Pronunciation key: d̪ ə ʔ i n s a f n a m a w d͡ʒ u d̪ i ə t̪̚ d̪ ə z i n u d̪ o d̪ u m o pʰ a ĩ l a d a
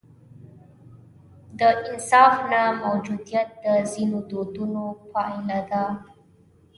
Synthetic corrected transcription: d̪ ə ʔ i n s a f n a m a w d͡ʒ u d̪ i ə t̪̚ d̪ ə z i n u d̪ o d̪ u n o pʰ a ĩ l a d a